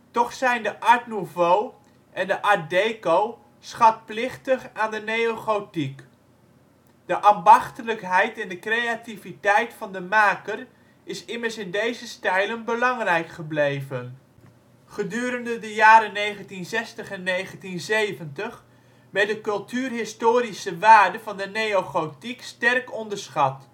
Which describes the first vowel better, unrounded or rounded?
rounded